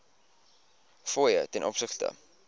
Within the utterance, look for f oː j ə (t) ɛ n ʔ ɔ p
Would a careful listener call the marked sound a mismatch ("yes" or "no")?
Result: no